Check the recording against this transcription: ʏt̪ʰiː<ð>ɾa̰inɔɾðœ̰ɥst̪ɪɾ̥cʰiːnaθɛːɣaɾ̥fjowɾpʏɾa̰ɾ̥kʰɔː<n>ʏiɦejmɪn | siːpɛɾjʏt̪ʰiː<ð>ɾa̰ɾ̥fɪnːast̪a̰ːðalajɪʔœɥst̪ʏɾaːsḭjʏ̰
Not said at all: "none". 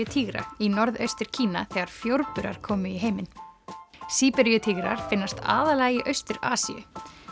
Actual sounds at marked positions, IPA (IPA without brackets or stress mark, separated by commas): ɣ, m, ɣ